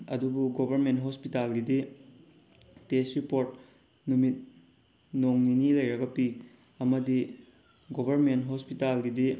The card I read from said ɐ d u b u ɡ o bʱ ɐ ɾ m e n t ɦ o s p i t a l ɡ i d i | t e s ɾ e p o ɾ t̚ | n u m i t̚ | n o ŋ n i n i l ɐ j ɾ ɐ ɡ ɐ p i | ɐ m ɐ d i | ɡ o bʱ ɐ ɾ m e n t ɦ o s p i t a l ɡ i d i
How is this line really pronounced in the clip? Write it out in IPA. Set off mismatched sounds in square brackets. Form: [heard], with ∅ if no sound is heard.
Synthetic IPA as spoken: ɐ d u b u ɡ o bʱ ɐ ɾ m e n t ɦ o s p i t a l ɡ i d i | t e s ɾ [i] p o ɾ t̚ | n u m i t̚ | n o ŋ n i n i l ɐ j ɾ ɐ ɡ ɐ p i | ɐ m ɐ d i | ɡ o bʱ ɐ ɾ m e n t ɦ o s p i t a l ɡ i d i

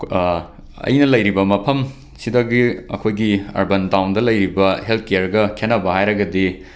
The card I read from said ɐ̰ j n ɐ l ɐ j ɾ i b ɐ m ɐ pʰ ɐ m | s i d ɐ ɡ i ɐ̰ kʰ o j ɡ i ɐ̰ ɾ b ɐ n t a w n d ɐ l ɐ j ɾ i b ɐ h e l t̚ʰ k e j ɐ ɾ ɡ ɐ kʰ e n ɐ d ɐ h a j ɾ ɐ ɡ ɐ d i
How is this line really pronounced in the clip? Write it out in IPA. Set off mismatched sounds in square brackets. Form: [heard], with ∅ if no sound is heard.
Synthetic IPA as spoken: ɐ̰ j n ɐ l ɐ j ɾ i b ɐ m ɐ pʰ ɐ m | s i d ɐ ɡ i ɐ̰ kʰ o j ɡ i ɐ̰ ɾ b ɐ n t a w n d ɐ l ɐ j ɾ i b ɐ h e l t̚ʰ k e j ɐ ɾ ɡ ɐ kʰ e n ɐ [b] ɐ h a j ɾ ɐ ɡ ɐ d i

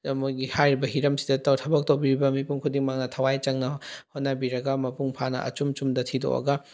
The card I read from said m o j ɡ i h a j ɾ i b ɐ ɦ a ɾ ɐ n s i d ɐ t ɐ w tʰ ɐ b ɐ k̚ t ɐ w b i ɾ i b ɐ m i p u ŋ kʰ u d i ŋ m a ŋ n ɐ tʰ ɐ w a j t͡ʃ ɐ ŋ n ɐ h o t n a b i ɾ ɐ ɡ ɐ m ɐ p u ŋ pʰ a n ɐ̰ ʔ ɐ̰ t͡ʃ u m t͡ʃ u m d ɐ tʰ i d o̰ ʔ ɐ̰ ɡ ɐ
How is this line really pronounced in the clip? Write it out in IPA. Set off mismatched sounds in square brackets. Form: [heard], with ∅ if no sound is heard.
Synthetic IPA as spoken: m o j ɡ i h a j ɾ i b ɐ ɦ [i] ɾ ɐ [m] s i d ɐ t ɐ w tʰ ɐ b ɐ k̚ t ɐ w b i ɾ i b ɐ m i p u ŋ kʰ u d i ŋ m a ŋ n ɐ tʰ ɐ w a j t͡ʃ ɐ ŋ n ɐ h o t n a b i ɾ ɐ ɡ ɐ m ɐ p u ŋ pʰ a n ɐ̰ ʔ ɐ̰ t͡ʃ u m t͡ʃ u m d ɐ tʰ i d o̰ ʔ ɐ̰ ɡ ɐ

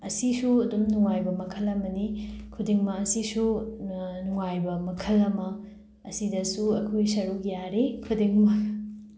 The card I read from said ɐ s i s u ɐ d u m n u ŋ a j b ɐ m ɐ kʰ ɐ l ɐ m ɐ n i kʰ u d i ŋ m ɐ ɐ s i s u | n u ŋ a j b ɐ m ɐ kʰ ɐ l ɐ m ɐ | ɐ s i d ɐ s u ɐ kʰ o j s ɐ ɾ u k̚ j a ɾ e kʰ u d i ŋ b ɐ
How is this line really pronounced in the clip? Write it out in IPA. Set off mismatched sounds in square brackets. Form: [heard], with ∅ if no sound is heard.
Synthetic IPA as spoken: ɐ s i s u ɐ d u m n u ŋ a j b ɐ m ɐ kʰ ɐ l ɐ m ɐ n i kʰ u d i ŋ m ɐ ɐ s i s u | n u ŋ a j b ɐ m ɐ kʰ ɐ l ɐ m ɐ | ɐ s i d ɐ s u ɐ kʰ o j s ɐ ɾ u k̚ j a ɾ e kʰ u d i ŋ [m] ɐ

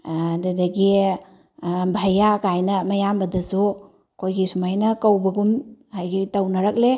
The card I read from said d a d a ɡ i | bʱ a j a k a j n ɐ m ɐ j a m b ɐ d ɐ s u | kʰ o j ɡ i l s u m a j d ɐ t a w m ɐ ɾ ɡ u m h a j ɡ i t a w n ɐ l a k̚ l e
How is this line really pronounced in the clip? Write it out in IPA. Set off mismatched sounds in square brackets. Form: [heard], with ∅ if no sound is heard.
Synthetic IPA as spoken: d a d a ɡ i | bʱ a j a k a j n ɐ m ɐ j a m b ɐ d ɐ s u | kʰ o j ɡ i [∅] s u m a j [n] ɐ [k] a w [b] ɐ [∅] ɡ u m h a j ɡ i t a w n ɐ [ɾ] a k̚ l e

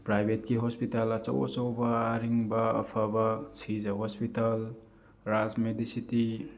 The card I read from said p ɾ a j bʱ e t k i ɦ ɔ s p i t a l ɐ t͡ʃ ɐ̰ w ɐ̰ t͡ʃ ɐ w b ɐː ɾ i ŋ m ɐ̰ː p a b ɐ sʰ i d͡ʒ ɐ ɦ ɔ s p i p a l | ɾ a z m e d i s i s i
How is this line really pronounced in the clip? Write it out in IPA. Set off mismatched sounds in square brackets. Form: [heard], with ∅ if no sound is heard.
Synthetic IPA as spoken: p ɾ a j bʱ e t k i ɦ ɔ s p i t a l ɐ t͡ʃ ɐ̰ w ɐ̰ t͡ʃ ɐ w b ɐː ɾ i ŋ [b] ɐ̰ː [pʰ] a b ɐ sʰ i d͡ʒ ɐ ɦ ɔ s p i [t] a l | ɾ a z m e d i s i [t] i

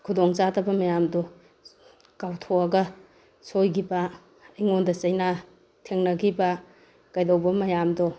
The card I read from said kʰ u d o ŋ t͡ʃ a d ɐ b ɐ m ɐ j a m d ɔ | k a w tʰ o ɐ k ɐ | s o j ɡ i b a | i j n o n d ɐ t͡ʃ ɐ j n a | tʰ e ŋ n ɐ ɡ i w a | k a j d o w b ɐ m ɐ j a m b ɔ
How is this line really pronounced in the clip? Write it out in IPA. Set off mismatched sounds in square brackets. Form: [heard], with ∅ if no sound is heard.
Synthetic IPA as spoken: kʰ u d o ŋ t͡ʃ a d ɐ b ɐ m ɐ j a m d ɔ | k a w tʰ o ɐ [ɡ] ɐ | s o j ɡ i b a | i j [ŋ] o n d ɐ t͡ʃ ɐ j n a | tʰ e ŋ n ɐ ɡ i [b] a | k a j d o w b ɐ m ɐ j a m [d] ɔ

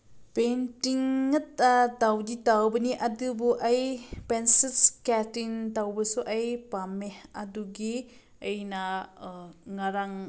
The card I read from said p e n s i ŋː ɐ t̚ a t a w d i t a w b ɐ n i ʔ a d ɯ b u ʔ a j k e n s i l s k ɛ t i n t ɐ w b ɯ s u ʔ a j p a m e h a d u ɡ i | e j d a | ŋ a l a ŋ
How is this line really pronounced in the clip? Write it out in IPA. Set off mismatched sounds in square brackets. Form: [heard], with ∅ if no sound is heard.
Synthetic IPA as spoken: p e n [t] i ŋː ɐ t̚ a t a w d i t a w b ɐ n i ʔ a d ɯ b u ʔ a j [p] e n s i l s k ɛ t i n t [a] w b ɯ s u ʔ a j p a m e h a d u ɡ i | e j [n] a | ŋ a [ɾ] a ŋ

